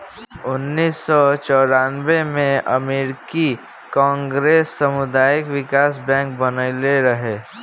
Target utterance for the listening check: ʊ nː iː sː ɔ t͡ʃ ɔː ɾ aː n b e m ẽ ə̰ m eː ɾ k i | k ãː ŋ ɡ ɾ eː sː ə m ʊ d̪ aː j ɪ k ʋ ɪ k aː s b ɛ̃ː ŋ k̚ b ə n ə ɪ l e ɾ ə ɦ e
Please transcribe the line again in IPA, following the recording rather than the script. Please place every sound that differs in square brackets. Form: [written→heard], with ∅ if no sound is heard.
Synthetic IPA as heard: ʊ nː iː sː ɔ t͡ʃ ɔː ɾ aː n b e m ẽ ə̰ m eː ɾ k i | k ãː ŋ ɡ ɾ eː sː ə m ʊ d̪ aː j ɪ k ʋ ɪ k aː s b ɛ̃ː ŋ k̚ b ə n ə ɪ l e ɾ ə ɦ e